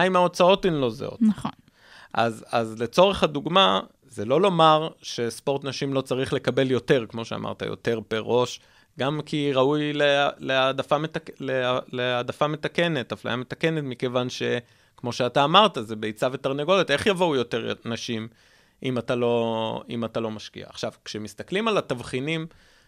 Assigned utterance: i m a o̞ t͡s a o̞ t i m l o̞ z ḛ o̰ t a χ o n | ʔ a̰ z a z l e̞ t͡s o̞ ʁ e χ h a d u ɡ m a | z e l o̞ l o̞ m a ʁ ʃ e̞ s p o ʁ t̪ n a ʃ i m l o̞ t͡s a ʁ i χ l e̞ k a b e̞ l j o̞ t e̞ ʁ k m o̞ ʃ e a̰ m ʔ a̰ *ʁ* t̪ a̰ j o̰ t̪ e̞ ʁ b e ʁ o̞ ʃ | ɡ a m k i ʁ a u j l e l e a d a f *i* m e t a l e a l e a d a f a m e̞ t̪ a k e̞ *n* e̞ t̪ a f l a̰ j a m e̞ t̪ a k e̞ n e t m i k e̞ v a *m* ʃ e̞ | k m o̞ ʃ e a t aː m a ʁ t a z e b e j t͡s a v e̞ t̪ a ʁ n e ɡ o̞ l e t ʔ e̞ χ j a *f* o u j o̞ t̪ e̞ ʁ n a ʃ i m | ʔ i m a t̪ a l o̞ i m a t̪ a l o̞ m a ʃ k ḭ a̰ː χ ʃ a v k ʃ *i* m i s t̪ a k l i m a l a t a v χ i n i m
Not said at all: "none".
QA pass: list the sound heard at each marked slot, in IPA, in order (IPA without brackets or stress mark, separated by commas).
ʁ, a, n, n, v, e